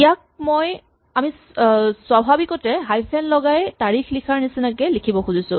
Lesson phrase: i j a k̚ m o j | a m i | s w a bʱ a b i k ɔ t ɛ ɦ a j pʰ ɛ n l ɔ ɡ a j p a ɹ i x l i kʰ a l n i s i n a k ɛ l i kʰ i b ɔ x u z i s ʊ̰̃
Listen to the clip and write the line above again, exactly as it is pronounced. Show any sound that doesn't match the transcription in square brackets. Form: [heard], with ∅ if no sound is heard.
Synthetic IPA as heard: i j a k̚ m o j | a m i | s w a bʱ a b i k ɔ t ɛ ɦ a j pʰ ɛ n l ɔ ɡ a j [t] a ɹ i x l i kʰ a [ɹ] n i s i n a k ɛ l i kʰ i b ɔ x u z i s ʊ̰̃

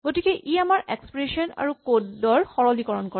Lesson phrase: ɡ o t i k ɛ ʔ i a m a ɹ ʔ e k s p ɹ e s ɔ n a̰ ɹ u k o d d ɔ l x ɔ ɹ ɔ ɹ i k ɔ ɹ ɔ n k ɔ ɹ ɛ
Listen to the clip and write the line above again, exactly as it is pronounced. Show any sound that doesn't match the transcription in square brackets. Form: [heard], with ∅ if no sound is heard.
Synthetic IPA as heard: ɡ o t i k ɛ ʔ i a m a ɹ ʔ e k s p ɹ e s ɔ n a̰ ɹ u k o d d ɔ [ɹ] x ɔ ɹ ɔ [l] i k ɔ ɹ ɔ n k ɔ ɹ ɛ

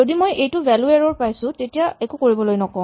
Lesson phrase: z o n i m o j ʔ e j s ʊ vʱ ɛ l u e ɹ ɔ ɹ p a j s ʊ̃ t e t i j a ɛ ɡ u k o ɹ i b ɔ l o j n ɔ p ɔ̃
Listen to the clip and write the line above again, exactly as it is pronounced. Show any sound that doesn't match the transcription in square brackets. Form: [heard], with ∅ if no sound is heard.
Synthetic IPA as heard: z o [d] i m o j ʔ e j [t] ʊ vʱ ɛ l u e ɹ ɔ ɹ p a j s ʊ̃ t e t i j a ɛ [k] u k o ɹ i b ɔ l o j n ɔ [k] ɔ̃

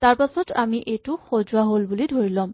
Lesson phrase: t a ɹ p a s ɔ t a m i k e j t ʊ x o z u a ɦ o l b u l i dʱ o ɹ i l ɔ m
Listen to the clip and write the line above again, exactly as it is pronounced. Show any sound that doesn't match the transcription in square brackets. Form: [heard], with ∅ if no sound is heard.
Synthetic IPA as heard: t a ɹ p a s ɔ t a m i [ʔ] e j t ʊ x o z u a ɦ o l b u l i dʱ o ɹ i l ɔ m

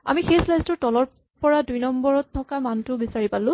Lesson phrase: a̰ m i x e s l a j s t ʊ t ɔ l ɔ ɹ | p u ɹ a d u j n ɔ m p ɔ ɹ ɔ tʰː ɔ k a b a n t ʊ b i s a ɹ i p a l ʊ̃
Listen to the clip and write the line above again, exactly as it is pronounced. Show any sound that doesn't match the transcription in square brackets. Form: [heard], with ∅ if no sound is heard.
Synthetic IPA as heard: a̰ m i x e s l a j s t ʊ t ɔ l ɔ ɹ | p [ɔ] ɹ a d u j n ɔ m [b] ɔ ɹ ɔ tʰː ɔ k a [m] a n t ʊ b i s a ɹ i p a l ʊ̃

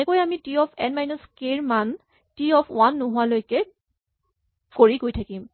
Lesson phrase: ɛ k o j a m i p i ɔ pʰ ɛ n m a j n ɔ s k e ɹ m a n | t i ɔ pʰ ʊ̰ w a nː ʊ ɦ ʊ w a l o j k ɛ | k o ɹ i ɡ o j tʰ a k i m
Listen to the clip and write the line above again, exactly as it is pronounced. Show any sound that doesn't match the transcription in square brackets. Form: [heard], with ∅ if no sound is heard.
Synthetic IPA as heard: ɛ k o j a m i [t] i ɔ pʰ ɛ n m a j n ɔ s k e ɹ m a n | t i ɔ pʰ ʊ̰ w a nː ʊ ɦ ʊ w a l o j k ɛ | k o ɹ i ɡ o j tʰ a k i m

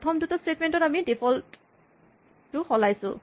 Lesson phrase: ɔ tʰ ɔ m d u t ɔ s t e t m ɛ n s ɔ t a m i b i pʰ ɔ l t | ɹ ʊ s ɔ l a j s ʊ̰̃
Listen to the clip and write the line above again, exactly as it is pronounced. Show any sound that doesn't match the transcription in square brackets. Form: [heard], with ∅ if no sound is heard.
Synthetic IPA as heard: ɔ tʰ ɔ m d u t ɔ s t e t m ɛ n [t] ɔ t a m i [d] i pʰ ɔ l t | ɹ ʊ [x] ɔ l a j s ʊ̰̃

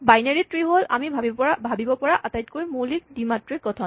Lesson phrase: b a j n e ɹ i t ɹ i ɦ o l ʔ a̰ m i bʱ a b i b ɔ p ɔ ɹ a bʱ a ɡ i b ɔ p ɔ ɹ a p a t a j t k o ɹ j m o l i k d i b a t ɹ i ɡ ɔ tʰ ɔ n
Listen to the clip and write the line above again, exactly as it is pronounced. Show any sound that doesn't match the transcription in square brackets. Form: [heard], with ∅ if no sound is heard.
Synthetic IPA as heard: b a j n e ɹ i t ɹ i ɦ o l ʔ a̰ m i bʱ a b i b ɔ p ɔ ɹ a bʱ a [b] i b ɔ p ɔ ɹ a [ʔ] a t a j t k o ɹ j m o l i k d i [m] a t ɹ i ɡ ɔ tʰ ɔ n

